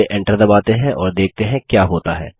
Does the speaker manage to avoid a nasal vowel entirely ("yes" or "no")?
no